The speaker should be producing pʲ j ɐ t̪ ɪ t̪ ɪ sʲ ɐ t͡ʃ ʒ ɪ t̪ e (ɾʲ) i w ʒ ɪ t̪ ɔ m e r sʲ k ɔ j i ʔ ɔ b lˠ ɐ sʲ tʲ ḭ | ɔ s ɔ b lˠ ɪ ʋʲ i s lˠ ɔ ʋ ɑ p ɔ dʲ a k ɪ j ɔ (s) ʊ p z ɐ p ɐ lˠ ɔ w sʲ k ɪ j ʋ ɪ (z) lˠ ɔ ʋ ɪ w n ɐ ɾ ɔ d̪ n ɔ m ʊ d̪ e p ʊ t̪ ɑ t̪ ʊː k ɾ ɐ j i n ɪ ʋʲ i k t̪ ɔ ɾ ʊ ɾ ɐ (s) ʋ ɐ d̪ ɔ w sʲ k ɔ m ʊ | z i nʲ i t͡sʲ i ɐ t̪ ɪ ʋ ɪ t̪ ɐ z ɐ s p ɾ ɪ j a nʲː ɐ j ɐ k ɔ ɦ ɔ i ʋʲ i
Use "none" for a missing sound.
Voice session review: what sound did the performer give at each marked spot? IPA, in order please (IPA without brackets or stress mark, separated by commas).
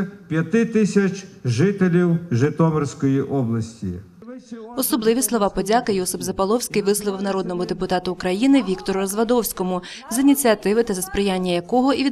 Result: lʲ, s, s, z